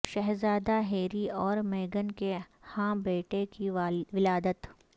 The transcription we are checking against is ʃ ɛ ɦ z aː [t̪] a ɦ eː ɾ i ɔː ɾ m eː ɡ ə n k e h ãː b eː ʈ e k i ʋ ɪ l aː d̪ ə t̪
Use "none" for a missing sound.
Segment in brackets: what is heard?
d̪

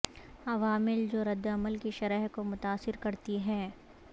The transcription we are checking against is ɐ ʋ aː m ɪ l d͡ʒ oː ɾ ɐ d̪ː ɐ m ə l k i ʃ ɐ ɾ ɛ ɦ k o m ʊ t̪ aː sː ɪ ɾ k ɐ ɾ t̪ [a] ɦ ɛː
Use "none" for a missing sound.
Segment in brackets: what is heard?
i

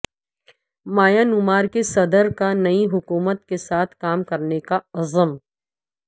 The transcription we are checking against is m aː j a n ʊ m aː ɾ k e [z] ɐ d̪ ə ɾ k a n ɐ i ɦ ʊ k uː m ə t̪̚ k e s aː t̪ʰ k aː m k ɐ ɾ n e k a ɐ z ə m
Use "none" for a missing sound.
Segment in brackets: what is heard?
s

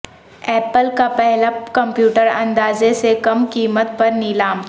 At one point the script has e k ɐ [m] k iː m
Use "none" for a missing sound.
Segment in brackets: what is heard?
m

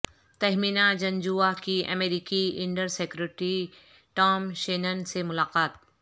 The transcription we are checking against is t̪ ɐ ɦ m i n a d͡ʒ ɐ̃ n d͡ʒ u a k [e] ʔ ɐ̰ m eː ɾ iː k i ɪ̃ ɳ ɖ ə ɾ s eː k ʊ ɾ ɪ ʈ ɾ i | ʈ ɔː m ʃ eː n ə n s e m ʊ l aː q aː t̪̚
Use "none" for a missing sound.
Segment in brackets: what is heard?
i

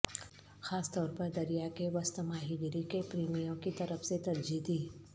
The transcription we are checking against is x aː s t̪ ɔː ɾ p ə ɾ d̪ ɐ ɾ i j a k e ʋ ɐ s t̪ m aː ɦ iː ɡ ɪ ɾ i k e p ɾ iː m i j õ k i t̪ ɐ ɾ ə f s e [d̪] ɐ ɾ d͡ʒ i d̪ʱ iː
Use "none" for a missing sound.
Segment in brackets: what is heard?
t̪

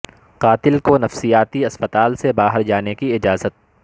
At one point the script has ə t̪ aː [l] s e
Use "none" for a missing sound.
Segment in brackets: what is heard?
l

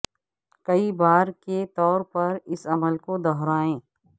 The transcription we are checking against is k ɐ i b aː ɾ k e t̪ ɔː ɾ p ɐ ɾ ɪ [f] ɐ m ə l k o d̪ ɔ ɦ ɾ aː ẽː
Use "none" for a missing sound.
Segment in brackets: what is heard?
s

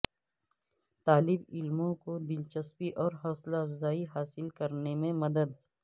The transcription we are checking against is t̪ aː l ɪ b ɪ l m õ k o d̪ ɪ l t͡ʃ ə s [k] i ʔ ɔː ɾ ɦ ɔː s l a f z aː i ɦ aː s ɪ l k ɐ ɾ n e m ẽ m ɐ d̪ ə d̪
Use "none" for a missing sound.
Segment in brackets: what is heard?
p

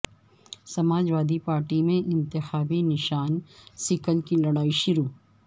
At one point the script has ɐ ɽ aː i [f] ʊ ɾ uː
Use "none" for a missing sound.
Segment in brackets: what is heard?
ʃ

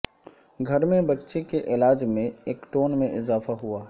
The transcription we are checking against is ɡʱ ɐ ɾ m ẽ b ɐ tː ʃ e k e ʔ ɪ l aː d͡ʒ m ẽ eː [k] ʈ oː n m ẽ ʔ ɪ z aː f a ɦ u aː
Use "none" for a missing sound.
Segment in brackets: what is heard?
k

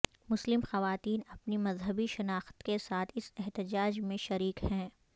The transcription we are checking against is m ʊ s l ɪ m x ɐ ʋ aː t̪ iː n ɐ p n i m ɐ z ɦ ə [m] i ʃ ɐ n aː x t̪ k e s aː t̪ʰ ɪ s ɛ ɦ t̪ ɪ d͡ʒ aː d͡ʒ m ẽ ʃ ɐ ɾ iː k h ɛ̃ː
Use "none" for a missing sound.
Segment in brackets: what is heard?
b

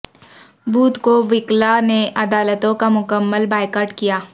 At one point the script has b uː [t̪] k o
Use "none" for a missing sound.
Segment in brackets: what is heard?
t̪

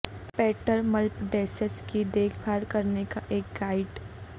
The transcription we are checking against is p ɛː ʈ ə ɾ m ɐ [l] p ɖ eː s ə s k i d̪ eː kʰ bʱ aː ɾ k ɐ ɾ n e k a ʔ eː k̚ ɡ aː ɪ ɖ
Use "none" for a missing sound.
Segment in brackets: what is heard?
l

